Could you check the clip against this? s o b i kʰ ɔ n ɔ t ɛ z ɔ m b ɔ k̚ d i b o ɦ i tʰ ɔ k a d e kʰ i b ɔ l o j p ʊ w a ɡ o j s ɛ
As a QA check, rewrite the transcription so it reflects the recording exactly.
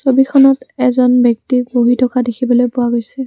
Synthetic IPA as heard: s o b i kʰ ɔ n ɔ t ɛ z ɔ n b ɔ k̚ t i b o ɦ i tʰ ɔ k a d e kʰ i b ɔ l o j p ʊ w a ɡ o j s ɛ